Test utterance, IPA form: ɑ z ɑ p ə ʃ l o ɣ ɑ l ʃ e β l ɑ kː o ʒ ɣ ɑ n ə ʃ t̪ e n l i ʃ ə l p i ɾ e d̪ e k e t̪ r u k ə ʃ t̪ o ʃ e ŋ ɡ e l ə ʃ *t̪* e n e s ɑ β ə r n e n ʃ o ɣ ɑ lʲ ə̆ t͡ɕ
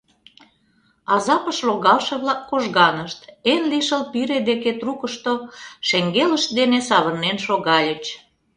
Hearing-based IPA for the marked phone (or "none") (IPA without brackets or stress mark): d̪